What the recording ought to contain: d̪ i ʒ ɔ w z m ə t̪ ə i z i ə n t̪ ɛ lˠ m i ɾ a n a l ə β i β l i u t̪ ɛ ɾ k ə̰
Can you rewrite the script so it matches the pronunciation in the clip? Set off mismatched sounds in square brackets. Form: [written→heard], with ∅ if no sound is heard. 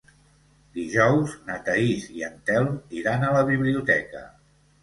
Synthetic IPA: d̪ i ʒ ɔ w z [m→n] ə t̪ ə i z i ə n t̪ ɛ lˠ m i ɾ a n [a→ə] l ə β i β l i u t̪ ɛ [ɾ→∅] k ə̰

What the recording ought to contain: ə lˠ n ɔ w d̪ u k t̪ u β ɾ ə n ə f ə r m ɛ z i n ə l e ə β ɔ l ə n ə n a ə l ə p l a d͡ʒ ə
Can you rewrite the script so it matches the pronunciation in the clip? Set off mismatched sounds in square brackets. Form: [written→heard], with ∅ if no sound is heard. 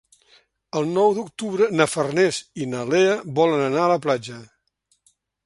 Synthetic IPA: ə lˠ n ɔ w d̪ u k t̪ u β ɾ ə n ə f ə r [m→n] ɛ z i n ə l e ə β ɔ l ə n ə n a ə l ə p l a d͡ʒ ə

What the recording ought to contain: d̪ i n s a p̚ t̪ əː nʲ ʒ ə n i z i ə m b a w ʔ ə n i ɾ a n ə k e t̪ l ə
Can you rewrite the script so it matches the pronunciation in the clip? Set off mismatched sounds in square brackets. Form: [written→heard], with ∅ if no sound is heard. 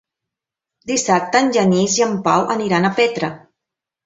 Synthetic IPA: d̪ i [n→∅] s a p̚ t̪ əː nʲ ʒ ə n i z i ə m [b→p] a w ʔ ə n i ɾ a n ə [k→p] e t̪ [l→ɾ] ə

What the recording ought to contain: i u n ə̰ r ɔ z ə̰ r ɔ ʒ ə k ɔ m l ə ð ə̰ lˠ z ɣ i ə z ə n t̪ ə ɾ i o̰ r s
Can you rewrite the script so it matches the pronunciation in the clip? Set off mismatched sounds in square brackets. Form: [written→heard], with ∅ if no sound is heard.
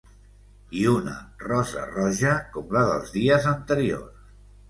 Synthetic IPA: i u n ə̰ r ɔ z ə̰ r ɔ ʒ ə k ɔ m l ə ð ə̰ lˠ z [ɣ→ð] i ə z ə n t̪ ə ɾ i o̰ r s

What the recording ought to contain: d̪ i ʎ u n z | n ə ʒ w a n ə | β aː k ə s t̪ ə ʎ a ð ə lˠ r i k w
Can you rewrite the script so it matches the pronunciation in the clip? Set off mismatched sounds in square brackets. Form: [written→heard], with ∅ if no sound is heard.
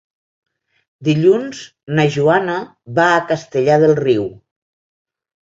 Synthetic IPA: d̪ i ʎ u n z | n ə ʒ [w→u] a n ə | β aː k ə s t̪ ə ʎ a ð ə lˠ r i [k→∅] w

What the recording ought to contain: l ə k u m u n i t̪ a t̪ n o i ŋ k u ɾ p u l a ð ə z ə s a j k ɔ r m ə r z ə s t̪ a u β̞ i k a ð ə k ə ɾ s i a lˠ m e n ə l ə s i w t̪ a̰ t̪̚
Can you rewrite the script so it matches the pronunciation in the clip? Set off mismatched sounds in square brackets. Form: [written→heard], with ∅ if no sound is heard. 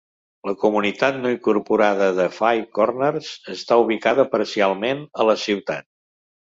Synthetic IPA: l ə k u m u n i t̪ a t̪ n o i ŋ k u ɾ p u [l→ɾ] a ð ə [z→ð] ə [s→f] a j k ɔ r [m→n] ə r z ə s t̪ a u β̞ i k a ð ə [k→p] ə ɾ s i a lˠ m e n ə l ə s i w t̪ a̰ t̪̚

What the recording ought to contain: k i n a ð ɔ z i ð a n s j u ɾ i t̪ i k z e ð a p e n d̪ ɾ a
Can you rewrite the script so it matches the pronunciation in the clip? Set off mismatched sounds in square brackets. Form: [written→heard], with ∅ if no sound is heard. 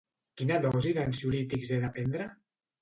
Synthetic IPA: k i n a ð ɔ z i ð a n s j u [ɾ→l] i t̪ i k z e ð a p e n d̪ ɾ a

